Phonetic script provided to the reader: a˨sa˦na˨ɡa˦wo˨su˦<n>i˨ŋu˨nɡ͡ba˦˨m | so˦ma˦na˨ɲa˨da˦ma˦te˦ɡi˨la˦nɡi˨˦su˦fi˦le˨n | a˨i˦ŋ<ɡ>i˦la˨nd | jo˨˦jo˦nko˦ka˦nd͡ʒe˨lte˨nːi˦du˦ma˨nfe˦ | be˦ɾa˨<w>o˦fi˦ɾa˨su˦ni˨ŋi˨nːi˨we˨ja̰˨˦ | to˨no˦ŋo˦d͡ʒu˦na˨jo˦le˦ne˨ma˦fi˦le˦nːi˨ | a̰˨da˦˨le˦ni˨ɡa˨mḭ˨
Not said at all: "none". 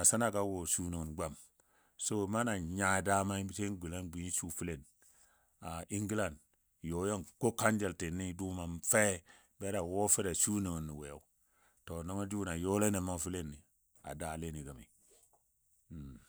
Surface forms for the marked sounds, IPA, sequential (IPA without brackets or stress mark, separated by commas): n, ɡ, w